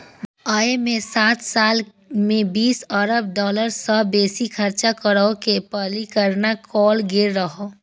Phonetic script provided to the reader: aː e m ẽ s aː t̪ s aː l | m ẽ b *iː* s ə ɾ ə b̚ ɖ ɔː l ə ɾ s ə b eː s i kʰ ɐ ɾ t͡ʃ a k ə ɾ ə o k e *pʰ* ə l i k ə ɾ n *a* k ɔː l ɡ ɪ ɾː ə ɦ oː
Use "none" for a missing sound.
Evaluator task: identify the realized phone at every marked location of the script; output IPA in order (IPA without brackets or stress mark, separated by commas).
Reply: iː, p, a